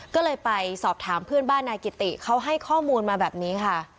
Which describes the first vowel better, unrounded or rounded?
rounded